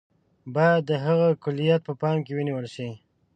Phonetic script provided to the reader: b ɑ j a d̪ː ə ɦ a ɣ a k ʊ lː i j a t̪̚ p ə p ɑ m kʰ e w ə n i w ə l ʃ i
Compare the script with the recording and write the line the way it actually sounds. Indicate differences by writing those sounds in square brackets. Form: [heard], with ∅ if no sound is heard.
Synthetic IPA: b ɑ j a d̪ː ə ɦ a ɣ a k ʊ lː i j a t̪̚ p ə p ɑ m [k] e w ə n i w ə l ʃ i